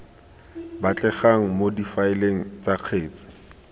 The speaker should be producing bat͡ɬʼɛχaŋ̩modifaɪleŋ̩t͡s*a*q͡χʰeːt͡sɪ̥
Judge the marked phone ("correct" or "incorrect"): correct